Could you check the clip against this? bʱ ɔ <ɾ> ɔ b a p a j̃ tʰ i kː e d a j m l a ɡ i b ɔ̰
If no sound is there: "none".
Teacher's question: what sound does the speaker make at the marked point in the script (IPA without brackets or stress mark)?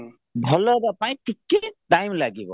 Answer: l